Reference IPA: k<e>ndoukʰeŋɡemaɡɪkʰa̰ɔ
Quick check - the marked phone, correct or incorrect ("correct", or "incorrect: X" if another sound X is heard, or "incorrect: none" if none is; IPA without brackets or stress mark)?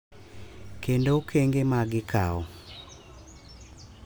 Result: correct